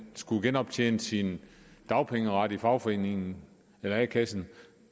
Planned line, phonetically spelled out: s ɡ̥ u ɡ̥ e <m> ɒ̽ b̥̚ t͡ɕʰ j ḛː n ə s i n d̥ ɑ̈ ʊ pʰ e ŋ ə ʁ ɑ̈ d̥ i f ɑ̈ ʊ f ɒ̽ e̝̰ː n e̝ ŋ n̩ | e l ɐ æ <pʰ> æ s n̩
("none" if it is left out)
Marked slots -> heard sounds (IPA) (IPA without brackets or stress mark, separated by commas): n, kʰ